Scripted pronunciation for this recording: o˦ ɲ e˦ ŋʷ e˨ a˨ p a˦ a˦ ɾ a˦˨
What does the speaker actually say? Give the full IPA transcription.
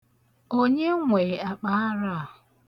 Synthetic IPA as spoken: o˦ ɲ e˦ ŋʷ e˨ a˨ k͡p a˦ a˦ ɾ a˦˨